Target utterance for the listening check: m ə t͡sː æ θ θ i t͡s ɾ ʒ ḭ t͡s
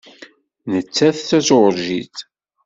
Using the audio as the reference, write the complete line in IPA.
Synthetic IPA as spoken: n ə t͡sː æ θ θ æ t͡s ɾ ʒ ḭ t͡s